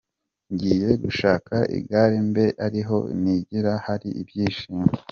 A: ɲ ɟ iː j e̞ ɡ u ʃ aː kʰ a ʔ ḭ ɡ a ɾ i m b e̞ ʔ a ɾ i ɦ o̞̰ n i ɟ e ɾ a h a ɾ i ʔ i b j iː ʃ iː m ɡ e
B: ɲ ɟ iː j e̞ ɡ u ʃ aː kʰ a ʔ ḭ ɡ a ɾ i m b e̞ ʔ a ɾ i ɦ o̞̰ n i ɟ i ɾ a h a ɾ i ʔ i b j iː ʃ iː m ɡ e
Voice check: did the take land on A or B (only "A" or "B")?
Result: B